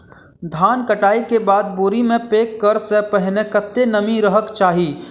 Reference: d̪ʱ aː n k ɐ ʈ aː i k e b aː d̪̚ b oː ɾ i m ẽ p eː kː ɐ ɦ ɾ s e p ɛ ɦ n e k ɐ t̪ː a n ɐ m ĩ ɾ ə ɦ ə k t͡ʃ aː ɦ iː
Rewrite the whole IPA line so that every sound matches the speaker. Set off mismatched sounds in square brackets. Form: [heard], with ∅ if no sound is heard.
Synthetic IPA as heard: d̪ʱ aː n k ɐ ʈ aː i k e b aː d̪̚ b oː ɾ i m ẽ p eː kː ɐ [∅] ɾ s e p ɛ ɦ n e k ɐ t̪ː [e] n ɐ m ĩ ɾ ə ɦ ə k t͡ʃ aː ɦ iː